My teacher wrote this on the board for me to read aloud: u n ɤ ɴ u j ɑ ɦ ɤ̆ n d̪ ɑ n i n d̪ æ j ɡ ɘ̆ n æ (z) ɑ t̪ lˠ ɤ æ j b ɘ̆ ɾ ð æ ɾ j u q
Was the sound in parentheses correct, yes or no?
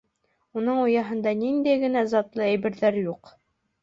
yes